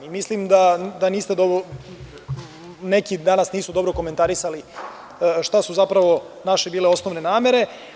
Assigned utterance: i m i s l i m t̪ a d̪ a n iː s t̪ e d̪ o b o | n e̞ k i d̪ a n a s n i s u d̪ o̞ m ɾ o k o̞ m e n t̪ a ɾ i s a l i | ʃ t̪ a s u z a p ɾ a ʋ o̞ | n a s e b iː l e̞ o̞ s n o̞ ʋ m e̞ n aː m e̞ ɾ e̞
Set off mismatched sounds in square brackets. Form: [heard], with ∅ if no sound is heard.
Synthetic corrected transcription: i m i s l i m [d̪] a d̪ a n iː s t̪ e d̪ o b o | n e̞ k i d̪ a n a s n [iː] s u d̪ o̞ [b] ɾ o k o̞ m e n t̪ a ɾ i s a l i | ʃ t̪ a s u z a p ɾ a ʋ o̞ | n a [ʃ] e b iː l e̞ o̞ s n o̞ ʋ [n] e̞ n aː m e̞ ɾ e̞